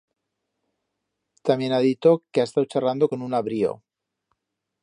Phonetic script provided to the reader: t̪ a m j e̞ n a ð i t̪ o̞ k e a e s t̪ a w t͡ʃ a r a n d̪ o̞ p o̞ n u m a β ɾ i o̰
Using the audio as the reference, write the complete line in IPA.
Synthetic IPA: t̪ a m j e̞ n a ð i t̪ o̞ k e a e s t̪ a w t͡ʃ a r a n d̪ o̞ k o̞ n u n a β ɾ i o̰